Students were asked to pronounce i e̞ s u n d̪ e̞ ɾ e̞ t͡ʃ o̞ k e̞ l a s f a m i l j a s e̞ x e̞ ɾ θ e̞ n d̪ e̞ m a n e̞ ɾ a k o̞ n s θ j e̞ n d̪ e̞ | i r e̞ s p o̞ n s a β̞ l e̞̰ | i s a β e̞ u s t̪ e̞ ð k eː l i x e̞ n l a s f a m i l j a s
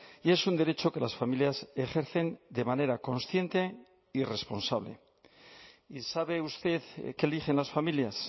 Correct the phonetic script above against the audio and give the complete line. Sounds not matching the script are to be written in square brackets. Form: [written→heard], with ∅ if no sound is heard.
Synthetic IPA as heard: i e̞ s u n d̪ e̞ ɾ e̞ t͡ʃ o̞ k e̞ l a s f a m i l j a s e̞ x e̞ ɾ θ e̞ n d̪ e̞ m a n e̞ ɾ a k o̞ n s θ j e̞ n [d̪→t̪] e̞ | i r e̞ s p o̞ n s a β̞ l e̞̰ | i s a β e̞ u s t̪ e̞ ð k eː l i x e̞ n l a s f a m i l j a s